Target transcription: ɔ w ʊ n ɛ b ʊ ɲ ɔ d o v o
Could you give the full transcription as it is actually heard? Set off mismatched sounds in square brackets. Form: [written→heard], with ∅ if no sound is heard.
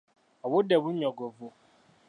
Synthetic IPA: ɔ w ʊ [n→d] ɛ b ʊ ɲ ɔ [d→ɡ] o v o